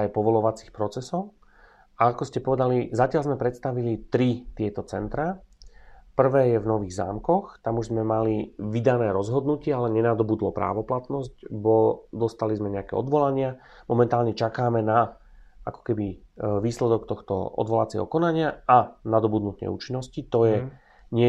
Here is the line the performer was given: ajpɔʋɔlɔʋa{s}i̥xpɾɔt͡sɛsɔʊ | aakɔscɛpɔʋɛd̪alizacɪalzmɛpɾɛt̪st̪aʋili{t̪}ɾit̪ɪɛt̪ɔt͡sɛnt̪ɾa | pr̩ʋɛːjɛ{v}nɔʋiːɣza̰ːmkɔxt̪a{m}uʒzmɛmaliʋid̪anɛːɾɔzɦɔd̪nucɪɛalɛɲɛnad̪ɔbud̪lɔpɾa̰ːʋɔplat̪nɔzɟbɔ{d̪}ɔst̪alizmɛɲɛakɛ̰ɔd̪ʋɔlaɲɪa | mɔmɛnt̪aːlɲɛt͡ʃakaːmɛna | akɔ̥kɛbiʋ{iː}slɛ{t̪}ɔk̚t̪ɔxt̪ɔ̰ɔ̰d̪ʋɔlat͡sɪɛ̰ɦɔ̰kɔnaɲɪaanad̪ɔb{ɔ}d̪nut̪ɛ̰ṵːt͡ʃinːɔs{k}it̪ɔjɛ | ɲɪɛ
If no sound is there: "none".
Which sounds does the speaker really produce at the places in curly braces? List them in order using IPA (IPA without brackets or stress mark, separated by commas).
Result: t͡s, t̪, v, m, d̪, iː, d̪, u, c